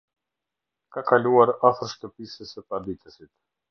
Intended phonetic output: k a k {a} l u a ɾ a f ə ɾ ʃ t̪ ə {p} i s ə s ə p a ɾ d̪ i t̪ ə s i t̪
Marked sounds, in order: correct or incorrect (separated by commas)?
correct, correct